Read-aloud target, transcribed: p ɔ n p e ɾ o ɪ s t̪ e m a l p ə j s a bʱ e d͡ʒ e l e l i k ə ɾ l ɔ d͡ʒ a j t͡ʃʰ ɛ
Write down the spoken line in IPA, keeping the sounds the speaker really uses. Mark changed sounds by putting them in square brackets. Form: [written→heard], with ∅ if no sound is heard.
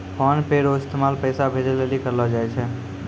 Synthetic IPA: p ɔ n p e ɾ o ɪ s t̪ e m a l p ə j s a bʱ e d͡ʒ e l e l i k ə ɾ l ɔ d͡ʒ a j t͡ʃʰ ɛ